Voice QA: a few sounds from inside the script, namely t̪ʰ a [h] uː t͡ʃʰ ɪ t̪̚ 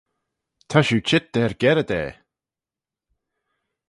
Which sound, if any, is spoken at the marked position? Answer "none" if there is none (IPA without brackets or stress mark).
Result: ʃ